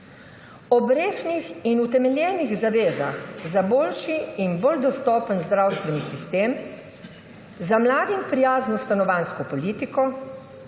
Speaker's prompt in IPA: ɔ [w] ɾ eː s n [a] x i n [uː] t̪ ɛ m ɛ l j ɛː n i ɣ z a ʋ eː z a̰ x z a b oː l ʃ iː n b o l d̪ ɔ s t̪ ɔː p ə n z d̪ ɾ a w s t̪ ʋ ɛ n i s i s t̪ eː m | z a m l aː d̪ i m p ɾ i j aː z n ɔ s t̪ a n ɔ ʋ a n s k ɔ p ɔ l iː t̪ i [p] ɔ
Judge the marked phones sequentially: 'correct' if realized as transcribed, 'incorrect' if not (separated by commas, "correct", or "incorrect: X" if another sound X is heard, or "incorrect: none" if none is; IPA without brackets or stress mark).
incorrect: b, incorrect: i, incorrect: u, incorrect: k